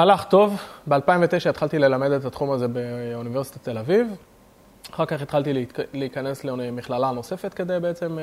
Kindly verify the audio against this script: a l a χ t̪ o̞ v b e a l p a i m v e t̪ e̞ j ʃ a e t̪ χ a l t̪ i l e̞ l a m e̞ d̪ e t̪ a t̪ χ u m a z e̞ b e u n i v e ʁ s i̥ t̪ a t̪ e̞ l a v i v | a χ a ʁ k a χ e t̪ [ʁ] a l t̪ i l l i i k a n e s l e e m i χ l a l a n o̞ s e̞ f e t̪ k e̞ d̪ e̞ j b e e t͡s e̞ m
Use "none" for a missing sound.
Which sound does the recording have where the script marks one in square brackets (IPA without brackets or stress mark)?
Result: χ